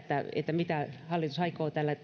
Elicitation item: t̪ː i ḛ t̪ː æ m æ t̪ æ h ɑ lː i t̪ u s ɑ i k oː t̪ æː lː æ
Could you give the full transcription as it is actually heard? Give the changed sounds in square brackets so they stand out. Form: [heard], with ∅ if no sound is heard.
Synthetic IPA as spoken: t̪ː [æ] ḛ t̪ː æ m [i] t̪ æ h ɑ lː i t̪ u s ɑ i k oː t̪ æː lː æ